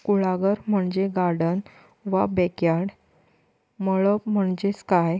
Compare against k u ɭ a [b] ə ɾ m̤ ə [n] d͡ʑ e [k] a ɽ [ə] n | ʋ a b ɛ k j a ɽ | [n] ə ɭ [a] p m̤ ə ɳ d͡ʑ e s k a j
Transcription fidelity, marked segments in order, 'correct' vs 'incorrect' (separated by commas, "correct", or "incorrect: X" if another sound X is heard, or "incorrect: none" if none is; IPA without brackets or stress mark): incorrect: ɡ, incorrect: ɳ, incorrect: ɡ, correct, incorrect: m, incorrect: ə